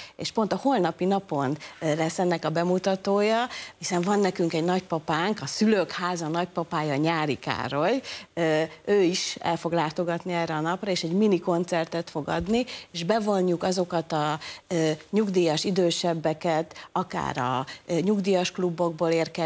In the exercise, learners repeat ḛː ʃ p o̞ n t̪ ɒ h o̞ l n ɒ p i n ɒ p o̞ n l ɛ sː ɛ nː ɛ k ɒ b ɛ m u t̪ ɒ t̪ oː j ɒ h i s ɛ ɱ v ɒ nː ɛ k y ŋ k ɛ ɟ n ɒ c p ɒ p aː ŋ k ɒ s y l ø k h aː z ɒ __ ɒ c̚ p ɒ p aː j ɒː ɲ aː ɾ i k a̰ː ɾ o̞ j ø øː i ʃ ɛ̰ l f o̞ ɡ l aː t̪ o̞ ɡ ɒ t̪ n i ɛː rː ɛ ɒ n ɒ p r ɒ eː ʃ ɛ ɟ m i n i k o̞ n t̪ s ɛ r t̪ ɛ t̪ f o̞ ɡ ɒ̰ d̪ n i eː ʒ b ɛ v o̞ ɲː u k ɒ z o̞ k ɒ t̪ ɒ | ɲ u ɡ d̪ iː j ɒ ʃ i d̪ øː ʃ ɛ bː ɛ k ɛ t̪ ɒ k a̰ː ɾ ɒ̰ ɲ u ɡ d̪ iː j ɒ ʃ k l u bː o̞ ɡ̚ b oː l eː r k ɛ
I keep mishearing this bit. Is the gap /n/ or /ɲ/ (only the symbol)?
n